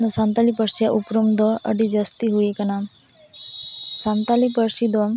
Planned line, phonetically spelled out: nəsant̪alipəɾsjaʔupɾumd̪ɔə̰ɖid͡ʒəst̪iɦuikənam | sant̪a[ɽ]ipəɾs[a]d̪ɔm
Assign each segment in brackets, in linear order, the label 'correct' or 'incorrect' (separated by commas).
incorrect, incorrect